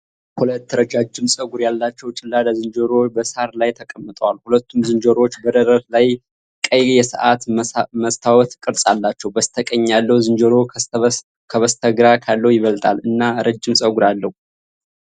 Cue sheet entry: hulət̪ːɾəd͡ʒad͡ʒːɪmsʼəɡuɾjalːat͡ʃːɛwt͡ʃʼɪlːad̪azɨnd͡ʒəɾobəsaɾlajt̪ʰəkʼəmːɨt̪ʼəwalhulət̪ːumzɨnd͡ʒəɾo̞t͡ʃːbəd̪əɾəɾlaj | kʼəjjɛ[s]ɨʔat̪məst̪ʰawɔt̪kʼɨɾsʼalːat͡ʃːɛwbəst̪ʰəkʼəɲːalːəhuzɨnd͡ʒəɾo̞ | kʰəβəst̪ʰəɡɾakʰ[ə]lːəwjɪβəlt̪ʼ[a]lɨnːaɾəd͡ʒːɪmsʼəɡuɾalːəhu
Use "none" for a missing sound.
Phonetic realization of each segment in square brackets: s, a, a

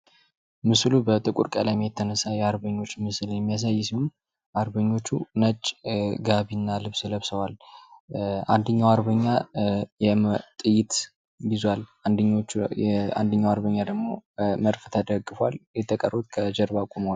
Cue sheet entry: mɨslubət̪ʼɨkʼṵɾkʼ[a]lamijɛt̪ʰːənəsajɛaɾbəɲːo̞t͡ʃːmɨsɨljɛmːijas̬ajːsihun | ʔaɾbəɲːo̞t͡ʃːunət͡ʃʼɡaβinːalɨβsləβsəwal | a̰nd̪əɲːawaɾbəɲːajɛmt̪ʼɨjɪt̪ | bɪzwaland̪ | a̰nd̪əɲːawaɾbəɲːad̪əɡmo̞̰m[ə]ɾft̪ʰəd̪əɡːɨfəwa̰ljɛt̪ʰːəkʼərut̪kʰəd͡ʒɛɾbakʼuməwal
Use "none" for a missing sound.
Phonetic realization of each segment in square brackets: ə, ə

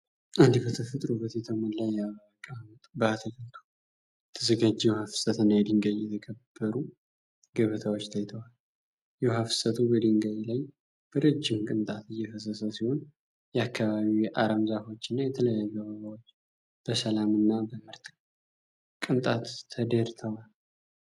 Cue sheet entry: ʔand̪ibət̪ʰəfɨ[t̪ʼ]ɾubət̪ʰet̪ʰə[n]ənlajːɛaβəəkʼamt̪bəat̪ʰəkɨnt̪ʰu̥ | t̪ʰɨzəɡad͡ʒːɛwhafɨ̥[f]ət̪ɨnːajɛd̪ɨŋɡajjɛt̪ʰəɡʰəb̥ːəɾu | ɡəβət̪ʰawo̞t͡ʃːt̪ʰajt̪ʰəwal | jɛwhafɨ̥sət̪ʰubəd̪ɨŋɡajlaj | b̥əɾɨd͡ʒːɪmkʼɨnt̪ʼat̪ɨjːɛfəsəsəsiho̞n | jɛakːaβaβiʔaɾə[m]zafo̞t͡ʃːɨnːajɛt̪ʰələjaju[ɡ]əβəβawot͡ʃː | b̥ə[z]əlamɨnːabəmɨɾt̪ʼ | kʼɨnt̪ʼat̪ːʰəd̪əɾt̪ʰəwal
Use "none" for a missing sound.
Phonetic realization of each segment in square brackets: t̪ʼ, m, s, m, ɡ, s

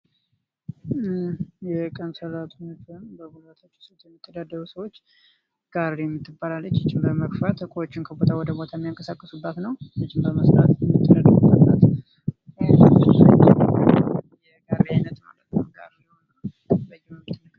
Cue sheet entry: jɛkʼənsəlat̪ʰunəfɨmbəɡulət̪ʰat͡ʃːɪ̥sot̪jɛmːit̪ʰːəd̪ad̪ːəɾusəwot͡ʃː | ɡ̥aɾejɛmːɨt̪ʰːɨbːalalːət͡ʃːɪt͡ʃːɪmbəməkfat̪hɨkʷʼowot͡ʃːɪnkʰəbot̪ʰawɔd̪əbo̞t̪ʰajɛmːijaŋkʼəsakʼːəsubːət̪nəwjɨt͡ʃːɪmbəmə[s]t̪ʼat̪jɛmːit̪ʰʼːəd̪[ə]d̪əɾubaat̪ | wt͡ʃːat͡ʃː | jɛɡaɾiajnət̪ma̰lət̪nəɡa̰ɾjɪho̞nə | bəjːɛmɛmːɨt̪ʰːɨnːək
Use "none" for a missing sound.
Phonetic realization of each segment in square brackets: s, a

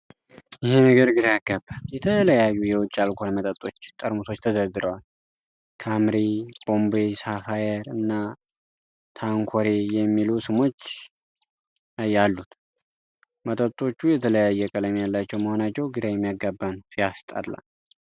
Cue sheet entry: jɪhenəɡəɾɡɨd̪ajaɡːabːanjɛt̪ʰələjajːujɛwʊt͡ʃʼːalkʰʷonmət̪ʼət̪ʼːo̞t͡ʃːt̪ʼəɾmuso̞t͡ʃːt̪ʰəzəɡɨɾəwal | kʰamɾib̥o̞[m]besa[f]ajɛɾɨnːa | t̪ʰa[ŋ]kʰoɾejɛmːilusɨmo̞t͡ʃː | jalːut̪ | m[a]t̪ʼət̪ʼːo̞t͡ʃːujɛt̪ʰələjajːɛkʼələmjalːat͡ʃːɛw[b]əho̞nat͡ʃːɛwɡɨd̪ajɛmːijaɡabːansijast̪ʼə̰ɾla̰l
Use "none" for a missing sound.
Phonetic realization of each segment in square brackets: m, f, ŋ, ə, m

